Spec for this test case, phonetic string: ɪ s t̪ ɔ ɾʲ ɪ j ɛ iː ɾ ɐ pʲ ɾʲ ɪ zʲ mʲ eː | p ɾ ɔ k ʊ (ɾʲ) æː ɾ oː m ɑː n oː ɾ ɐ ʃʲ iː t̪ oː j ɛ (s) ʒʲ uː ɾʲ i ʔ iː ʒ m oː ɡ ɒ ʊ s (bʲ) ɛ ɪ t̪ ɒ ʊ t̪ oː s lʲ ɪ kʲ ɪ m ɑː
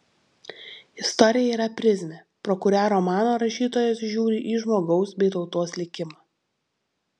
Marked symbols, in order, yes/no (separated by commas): yes, yes, yes